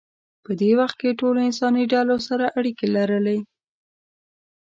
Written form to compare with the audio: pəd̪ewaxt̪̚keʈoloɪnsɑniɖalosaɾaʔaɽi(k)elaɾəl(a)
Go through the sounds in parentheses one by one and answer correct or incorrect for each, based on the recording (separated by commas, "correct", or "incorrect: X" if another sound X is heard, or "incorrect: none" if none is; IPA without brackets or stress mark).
correct, incorrect: e